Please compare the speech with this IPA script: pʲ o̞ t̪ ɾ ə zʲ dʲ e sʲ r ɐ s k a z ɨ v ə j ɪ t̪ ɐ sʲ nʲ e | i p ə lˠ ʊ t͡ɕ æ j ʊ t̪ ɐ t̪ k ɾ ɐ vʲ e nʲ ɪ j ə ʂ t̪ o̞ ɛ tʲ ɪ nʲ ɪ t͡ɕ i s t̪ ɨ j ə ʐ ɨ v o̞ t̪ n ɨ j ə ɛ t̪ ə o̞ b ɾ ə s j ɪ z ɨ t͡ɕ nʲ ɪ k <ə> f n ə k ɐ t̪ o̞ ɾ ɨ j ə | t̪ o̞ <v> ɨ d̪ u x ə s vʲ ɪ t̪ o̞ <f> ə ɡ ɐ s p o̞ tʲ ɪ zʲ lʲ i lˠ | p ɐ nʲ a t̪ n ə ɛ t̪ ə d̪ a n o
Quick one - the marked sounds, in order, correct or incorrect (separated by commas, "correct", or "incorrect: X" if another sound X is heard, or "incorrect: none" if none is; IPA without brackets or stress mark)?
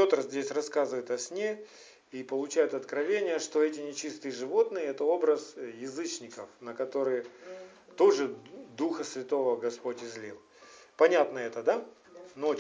correct, incorrect: ʐ, incorrect: v